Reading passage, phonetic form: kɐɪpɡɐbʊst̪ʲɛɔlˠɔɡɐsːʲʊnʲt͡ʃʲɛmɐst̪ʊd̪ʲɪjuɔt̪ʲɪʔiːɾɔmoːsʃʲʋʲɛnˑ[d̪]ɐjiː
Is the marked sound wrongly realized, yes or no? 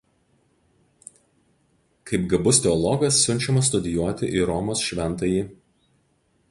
yes